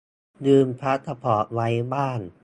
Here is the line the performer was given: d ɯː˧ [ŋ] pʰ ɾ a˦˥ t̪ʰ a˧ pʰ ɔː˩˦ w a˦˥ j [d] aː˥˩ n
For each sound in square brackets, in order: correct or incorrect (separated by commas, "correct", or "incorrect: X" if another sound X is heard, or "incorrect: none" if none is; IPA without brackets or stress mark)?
incorrect: m, incorrect: b